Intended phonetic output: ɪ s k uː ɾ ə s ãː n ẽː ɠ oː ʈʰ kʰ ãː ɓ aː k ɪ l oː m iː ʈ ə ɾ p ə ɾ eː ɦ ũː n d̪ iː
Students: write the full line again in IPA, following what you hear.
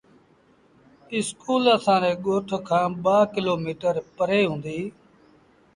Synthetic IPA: ɪ s k uː l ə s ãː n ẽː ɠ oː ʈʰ kʰ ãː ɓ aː k ɪ l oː m iː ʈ ə ɾ p ə ɾ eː ɦ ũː n d̪ iː